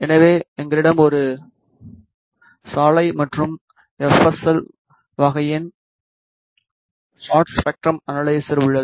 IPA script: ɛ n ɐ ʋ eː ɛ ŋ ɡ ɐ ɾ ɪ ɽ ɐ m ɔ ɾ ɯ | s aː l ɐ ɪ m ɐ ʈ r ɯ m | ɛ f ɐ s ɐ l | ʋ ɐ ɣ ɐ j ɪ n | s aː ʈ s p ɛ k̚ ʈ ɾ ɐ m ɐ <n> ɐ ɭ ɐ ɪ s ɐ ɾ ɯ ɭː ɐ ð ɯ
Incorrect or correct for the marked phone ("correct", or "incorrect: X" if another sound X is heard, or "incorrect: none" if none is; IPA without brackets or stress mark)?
correct